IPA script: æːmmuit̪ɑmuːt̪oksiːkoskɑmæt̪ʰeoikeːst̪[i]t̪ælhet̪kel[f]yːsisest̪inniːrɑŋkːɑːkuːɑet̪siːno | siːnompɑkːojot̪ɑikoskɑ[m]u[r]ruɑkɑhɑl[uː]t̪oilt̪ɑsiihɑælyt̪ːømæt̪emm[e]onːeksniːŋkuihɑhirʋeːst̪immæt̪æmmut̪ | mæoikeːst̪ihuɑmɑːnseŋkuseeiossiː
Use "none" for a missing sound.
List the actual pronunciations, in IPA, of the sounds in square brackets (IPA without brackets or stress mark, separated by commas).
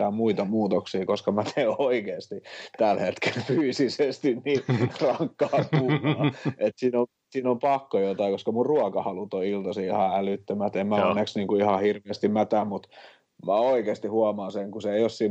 i, f, m, r, u, æ